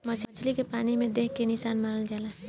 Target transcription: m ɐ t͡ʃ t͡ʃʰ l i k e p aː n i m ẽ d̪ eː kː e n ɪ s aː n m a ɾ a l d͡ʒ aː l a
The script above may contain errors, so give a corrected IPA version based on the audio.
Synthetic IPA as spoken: m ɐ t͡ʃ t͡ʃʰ l i k e p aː n i m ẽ d̪ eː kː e n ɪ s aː n m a ɾ ə l d͡ʒ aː l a